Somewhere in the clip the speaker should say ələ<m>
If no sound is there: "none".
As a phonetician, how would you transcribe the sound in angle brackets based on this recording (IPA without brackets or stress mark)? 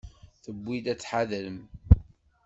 m